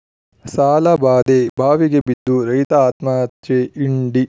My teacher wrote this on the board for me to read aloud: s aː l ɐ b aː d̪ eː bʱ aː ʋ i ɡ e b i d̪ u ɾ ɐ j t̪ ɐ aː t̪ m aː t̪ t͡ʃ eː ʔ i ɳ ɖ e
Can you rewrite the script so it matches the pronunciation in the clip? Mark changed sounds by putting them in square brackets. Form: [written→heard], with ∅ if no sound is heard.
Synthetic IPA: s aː l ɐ b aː d̪ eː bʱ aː ʋ i ɡ e b i [d̪→d̪ː] u ɾ ɐ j t̪ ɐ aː t̪ m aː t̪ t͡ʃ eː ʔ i ɳ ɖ [e→i]

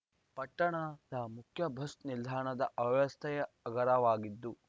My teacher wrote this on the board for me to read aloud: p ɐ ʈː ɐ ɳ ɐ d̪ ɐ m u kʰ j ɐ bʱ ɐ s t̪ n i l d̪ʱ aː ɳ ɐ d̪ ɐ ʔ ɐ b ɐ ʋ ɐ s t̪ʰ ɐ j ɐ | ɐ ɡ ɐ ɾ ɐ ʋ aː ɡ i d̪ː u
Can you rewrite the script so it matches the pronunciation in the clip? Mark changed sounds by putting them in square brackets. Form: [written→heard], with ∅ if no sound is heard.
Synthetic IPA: p ɐ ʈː ɐ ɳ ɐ d̪ ɐ m u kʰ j ɐ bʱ ɐ s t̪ n i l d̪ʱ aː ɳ ɐ d̪ ɐ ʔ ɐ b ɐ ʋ ɐ s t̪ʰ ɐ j ɐ | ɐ ɡ ɐ ɾ ɐ ʋ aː ɡ i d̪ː u

